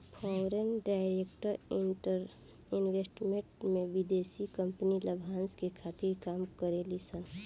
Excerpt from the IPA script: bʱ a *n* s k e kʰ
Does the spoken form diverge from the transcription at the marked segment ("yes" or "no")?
no